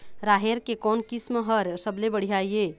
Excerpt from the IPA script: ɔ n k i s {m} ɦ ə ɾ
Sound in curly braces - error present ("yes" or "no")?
no